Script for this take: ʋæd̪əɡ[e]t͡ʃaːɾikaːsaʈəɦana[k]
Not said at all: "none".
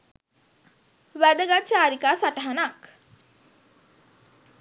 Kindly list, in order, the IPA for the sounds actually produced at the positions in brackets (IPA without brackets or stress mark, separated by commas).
a, k